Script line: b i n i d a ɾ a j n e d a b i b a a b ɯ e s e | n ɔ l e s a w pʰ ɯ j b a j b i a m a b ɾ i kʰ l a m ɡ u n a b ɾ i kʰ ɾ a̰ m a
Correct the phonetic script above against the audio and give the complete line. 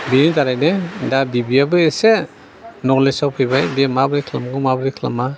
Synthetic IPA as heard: b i n i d a ɾ a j n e d a b i b i a b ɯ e s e | n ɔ l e s a w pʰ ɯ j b a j b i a m a b ɾ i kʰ l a m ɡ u m a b ɾ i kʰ l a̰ m a